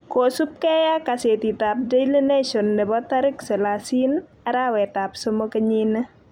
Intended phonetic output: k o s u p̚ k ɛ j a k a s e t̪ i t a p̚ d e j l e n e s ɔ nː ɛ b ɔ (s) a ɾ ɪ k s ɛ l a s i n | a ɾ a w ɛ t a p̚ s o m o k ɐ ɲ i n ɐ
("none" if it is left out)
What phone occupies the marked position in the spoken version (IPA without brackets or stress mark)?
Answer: t